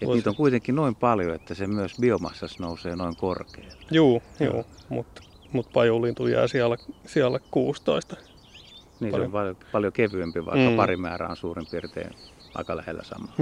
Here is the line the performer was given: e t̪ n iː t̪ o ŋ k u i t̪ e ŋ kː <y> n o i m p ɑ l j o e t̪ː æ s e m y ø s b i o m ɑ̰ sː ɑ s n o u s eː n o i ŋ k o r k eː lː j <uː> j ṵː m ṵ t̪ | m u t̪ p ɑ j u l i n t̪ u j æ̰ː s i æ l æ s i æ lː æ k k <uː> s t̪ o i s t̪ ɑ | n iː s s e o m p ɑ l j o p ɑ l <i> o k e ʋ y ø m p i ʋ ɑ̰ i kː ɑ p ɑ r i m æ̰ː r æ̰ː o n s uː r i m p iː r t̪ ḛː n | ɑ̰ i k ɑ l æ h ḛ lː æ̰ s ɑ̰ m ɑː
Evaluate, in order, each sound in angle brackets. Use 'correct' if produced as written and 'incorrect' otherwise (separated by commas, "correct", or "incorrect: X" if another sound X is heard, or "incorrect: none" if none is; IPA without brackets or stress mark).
incorrect: i, correct, correct, incorrect: j